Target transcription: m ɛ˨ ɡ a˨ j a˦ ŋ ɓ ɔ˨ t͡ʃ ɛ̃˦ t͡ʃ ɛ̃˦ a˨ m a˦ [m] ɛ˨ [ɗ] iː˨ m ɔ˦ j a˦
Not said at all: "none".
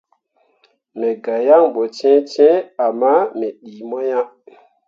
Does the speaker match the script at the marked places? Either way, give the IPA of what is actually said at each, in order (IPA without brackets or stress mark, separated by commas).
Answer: m, ɗ